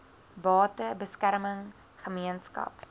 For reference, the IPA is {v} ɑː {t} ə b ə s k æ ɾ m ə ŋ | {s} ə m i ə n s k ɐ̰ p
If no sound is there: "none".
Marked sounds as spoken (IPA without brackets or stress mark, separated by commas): b, t, χ